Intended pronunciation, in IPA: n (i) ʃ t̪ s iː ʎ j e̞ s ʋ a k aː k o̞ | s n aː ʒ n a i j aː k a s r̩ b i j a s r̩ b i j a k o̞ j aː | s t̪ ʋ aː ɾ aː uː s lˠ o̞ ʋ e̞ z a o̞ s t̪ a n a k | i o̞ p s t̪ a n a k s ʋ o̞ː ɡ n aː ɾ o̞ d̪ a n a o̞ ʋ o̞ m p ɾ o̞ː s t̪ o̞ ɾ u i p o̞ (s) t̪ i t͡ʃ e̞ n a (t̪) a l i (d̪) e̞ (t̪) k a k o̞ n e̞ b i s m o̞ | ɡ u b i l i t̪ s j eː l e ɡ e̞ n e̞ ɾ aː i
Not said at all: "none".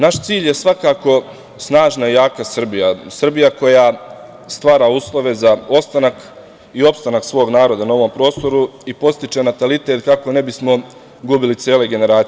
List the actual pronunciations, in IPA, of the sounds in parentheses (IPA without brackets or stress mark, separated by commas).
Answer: a, s, t̪, t̪, t̪